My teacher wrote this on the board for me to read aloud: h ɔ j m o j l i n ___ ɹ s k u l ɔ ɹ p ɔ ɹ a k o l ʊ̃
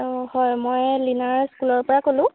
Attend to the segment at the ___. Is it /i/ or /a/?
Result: a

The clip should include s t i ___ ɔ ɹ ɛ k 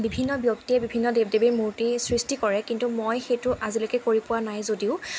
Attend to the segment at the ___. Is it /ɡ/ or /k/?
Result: k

